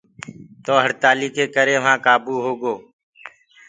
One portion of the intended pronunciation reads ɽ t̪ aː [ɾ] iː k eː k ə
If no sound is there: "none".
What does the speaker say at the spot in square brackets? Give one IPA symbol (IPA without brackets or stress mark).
l